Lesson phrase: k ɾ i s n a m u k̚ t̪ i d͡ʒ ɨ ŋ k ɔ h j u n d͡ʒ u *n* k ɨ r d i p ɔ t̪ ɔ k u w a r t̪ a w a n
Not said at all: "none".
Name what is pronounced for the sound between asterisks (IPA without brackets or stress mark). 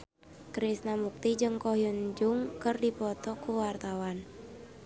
ŋ